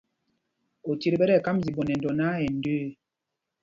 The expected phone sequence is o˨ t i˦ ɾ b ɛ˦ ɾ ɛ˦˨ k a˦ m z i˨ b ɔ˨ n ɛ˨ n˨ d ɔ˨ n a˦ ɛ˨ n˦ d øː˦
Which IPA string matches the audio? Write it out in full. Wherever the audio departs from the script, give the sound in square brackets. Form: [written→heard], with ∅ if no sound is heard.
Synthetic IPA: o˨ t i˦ ɾ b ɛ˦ ɾ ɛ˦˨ k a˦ m z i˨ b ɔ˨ n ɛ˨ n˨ d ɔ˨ n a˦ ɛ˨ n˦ d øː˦